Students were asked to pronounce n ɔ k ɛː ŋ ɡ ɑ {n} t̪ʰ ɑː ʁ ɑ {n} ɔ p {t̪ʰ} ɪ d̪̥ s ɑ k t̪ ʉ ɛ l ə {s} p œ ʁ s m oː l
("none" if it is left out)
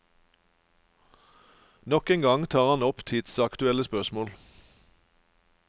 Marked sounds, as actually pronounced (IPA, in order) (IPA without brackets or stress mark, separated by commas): ŋ, n, t̪ʰ, s